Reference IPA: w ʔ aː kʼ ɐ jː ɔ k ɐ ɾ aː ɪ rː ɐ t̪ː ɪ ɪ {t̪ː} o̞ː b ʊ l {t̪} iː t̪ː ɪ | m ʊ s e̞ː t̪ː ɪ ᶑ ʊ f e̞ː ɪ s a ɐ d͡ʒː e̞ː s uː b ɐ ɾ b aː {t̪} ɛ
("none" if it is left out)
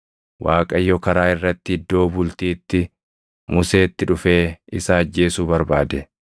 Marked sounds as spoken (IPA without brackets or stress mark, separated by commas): d̪ː, t̪, d̪